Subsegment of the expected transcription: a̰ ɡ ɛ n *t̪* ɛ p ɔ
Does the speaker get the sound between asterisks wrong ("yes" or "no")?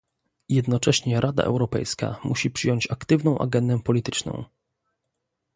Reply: yes